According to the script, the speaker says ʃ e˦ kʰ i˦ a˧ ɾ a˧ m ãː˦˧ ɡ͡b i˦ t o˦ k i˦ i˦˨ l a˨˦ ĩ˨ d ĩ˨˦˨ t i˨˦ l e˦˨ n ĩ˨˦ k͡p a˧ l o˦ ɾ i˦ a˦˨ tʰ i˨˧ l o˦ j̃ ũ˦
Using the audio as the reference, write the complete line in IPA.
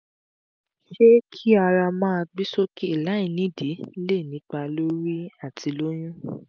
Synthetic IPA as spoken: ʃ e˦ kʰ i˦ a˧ ɾ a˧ m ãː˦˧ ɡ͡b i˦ s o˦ k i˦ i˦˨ l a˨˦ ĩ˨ n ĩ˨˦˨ d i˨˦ l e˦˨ n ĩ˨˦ k͡p a˧ l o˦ ɾ i˦ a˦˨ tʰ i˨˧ l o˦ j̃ ũ˦